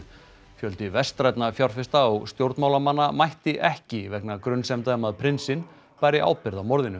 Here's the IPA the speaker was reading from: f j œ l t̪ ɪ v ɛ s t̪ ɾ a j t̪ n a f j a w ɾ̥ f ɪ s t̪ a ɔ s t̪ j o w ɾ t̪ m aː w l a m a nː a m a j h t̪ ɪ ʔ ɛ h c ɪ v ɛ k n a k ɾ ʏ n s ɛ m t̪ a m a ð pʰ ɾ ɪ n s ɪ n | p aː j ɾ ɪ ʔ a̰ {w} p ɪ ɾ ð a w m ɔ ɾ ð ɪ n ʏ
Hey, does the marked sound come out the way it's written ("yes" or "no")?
yes